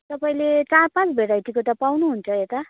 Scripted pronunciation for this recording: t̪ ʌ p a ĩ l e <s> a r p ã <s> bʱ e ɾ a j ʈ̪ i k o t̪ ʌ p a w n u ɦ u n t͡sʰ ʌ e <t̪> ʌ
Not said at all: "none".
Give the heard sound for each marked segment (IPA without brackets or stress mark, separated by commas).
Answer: t͡s, t͡s, t̪